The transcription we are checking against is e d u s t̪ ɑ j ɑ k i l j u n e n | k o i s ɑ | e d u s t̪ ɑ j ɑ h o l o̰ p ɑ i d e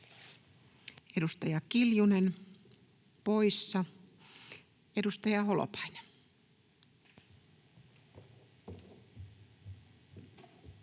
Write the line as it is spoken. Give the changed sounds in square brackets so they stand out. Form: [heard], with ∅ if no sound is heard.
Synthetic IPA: e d u s t̪ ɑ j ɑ k i l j u n e n | [p] o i [sː] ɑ | e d u s t̪ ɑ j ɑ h o l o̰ p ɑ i [n] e